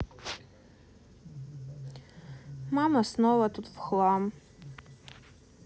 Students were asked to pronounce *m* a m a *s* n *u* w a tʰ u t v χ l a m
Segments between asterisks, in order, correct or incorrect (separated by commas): correct, correct, incorrect